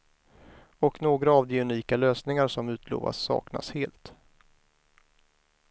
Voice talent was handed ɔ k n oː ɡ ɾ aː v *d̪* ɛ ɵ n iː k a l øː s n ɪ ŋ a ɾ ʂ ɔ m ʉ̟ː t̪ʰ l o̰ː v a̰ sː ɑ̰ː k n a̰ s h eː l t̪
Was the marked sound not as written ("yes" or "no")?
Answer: no